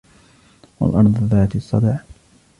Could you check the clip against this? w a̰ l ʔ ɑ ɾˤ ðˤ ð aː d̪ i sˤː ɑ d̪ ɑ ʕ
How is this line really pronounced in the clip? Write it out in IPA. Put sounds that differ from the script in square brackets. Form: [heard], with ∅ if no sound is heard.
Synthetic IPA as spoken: w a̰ l ʔ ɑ ɾˤ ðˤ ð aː [t̪] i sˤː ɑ d̪ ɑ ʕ